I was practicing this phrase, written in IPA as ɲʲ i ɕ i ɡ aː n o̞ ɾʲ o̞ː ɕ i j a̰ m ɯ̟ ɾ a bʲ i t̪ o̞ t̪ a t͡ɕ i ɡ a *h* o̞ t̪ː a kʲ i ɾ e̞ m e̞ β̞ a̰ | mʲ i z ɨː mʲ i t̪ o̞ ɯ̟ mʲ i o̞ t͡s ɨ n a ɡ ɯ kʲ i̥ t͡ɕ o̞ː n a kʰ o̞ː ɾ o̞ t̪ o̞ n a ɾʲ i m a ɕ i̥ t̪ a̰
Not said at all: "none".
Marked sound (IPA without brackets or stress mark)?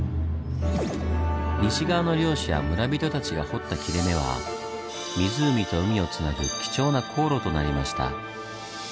h